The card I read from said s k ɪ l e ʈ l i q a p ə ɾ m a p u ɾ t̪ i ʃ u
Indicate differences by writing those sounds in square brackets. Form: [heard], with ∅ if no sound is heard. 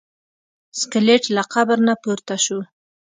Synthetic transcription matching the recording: s k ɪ l e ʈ l [a] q a [b] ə ɾ [n] a p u ɾ t̪ [a] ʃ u